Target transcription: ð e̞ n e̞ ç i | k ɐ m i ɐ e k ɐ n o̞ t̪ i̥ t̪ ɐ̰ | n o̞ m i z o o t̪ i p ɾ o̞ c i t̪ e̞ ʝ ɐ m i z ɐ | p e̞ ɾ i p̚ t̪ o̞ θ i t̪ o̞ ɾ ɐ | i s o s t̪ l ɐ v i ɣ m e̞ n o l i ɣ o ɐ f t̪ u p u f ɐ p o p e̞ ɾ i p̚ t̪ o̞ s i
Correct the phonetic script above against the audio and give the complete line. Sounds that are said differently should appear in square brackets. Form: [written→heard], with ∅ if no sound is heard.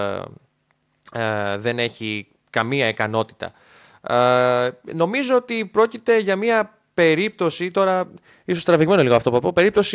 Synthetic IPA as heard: ð e̞ n e̞ ç i | k ɐ m i ɐ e k ɐ n o̞ t̪ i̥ t̪ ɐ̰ | n o̞ m i z o o t̪ i p ɾ o̞ c i t̪ e̞ ʝ ɐ m i [z→∅] ɐ | p e̞ ɾ i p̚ t̪ o̞ [θ→s] i t̪ o̞ ɾ ɐ | i s o s t̪ [l→ɾ] ɐ v i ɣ m e̞ n o l i ɣ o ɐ f t̪ [u→o] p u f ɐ p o p e̞ ɾ i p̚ t̪ o̞ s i